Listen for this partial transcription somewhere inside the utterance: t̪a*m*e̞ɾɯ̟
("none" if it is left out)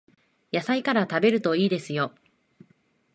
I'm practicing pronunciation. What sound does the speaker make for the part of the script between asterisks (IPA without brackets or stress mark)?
b